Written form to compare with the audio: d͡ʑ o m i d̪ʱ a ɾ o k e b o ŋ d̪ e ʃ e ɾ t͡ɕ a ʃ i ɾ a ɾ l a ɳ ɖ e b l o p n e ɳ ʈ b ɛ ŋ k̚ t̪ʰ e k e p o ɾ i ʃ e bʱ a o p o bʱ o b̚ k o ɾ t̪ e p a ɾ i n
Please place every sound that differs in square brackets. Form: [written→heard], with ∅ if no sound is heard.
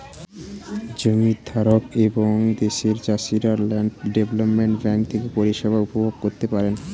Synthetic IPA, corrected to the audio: d͡ʑ o m i d̪ʱ a ɾ o k e b o ŋ d̪ e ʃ e ɾ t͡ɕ a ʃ i ɾ a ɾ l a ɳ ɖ e b l o p [n→m] e ɳ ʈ b ɛ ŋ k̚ t̪ʰ e k e p o ɾ i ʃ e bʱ a [o→u] p o bʱ o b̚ k o ɾ t̪ e p a ɾ [i→e] n